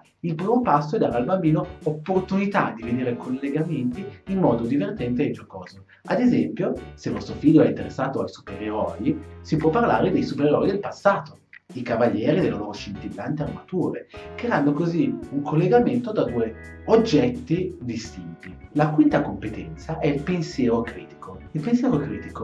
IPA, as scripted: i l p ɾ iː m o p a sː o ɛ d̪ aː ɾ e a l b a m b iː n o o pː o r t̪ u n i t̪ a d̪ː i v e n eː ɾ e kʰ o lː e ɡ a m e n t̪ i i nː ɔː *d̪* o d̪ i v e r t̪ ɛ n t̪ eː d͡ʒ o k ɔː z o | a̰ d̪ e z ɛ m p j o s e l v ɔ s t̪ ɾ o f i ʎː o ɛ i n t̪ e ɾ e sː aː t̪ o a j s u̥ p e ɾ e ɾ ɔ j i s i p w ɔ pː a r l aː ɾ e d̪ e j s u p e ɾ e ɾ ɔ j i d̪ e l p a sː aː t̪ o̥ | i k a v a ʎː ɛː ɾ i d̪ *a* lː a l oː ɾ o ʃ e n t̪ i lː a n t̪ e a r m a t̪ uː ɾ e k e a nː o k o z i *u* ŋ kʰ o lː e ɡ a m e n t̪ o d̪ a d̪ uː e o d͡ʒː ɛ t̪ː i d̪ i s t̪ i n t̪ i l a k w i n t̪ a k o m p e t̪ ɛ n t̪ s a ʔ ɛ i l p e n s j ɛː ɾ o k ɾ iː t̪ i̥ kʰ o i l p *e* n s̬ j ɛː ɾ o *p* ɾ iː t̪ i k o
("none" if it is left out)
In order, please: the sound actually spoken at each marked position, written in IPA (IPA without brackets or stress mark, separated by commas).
d̪, e, u, e, k